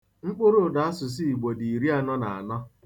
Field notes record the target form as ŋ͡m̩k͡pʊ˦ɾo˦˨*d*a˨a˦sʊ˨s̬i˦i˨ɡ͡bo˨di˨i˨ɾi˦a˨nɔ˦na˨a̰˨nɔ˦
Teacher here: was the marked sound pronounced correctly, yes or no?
yes